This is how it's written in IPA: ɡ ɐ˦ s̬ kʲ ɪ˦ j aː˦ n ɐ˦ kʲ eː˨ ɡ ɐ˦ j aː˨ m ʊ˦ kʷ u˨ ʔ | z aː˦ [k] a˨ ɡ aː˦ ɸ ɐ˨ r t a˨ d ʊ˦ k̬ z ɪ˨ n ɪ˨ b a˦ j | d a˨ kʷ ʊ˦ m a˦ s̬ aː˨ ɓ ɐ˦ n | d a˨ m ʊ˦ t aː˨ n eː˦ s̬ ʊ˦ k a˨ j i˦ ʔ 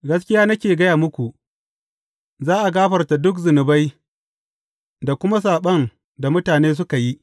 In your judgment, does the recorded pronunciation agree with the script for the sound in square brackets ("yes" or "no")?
no